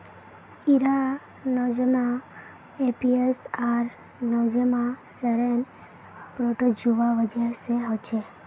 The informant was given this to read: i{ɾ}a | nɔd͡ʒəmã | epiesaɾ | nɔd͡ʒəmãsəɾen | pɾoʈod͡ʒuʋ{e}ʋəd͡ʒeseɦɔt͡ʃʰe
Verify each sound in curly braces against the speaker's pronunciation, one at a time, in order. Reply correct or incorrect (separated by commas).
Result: correct, incorrect